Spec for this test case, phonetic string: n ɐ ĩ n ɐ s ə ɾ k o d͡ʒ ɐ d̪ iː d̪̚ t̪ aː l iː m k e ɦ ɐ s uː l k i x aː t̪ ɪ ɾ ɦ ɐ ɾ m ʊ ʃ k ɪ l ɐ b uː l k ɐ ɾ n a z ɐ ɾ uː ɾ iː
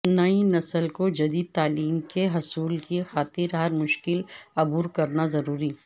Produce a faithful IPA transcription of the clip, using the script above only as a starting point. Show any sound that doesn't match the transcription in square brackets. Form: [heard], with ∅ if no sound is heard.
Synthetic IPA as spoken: n ɐ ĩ n ɐ s ə [l] k o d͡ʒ ɐ d̪ iː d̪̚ t̪ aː l iː m k e ɦ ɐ s uː l k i x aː t̪ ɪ ɾ ɦ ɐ ɾ m ʊ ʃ k ɪ l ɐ b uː [ɾ] k ɐ ɾ n a z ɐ ɾ uː ɾ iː